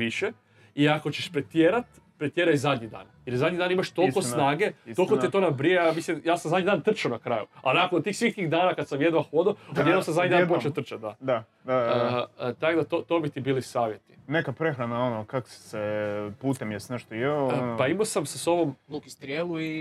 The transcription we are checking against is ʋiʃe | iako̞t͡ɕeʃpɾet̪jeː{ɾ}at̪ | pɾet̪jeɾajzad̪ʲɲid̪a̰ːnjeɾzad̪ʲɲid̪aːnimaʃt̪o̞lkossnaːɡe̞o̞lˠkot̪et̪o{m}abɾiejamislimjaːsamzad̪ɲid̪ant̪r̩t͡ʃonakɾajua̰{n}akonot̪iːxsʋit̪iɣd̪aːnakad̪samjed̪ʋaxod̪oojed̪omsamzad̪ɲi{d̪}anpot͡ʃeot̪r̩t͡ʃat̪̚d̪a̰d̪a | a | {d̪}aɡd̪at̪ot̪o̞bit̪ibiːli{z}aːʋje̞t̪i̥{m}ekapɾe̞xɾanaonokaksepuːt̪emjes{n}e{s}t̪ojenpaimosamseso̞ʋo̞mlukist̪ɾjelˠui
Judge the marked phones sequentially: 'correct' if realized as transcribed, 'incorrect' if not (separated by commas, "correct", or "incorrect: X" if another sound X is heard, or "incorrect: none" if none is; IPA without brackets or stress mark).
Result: correct, incorrect: n, correct, correct, incorrect: t̪, incorrect: s, incorrect: n, correct, incorrect: ʃ